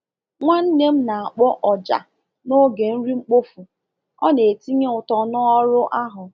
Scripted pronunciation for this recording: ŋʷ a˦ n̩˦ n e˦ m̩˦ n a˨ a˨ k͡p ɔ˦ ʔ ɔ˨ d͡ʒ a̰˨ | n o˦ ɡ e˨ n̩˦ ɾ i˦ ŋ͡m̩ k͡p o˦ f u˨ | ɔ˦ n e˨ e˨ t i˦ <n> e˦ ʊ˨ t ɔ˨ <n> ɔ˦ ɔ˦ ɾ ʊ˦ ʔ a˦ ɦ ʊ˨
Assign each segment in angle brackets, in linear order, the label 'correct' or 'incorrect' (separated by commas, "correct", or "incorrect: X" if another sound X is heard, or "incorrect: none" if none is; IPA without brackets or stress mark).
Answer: incorrect: ɲ, correct